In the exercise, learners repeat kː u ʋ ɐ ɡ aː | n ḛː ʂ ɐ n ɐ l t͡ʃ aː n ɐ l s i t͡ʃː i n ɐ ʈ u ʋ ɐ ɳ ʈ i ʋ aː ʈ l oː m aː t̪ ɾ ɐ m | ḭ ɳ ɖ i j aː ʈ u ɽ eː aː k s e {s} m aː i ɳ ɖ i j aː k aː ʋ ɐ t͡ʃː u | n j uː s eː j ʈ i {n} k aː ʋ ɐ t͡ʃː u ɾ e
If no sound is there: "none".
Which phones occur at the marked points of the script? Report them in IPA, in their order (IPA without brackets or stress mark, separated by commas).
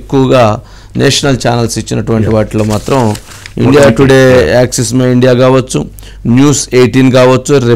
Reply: s, n